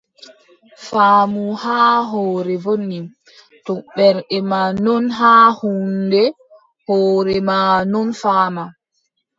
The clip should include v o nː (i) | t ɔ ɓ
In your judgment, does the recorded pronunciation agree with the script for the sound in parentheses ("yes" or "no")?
yes